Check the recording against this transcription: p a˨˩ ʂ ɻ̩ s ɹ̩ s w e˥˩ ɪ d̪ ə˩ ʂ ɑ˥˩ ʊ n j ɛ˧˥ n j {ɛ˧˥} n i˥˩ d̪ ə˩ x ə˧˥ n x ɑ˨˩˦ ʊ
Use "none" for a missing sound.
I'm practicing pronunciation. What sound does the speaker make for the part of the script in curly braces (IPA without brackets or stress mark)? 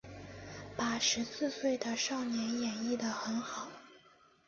ɛ˨˩